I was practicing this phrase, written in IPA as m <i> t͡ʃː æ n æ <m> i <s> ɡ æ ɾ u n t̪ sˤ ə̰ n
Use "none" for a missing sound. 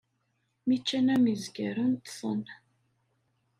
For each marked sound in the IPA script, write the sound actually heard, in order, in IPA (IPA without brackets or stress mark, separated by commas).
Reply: i, m, z